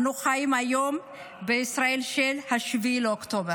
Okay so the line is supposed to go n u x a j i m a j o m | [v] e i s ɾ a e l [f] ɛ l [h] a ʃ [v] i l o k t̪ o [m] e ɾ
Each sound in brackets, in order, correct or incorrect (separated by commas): incorrect, incorrect, correct, correct, incorrect